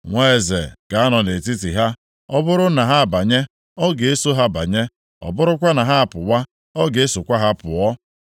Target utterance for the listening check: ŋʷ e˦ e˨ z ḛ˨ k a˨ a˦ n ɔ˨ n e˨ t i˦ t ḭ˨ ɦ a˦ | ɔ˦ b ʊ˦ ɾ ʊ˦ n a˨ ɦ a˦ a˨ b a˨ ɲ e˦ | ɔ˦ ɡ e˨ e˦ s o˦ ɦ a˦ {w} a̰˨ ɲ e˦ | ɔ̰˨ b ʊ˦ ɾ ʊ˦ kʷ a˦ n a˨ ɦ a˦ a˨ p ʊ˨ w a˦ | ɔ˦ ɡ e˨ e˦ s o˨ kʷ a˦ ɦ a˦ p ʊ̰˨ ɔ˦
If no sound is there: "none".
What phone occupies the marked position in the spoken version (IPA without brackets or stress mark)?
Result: b